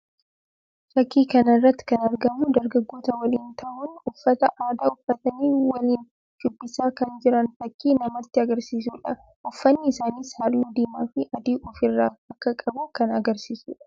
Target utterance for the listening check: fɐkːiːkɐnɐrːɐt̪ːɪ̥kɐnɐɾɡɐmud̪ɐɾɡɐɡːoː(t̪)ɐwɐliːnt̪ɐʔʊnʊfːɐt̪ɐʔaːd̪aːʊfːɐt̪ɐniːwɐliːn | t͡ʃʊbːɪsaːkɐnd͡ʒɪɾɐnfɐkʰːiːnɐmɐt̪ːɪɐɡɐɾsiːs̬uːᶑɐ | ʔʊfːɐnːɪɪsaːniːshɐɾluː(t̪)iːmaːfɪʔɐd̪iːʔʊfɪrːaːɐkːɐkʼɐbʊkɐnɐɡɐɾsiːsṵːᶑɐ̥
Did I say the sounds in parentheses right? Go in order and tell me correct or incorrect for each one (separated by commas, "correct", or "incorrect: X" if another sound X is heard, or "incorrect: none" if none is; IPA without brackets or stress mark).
correct, incorrect: d̪